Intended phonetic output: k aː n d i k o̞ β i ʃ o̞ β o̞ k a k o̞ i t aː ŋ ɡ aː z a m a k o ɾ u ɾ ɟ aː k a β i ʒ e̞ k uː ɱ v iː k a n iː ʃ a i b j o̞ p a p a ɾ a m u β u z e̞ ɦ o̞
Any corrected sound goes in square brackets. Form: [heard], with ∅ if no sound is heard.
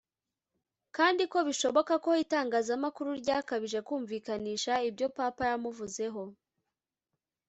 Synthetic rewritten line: k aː n d i k o̞ β i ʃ o̞ β o̞ k a k o̞ i t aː ŋ ɡ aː z a m a k [u] ɾ u ɾ ɟ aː k a β i ʒ e̞ k uː ɱ v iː k a n iː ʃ a i b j o̞ p a p a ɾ a m u [v] u z e̞ ɦ o̞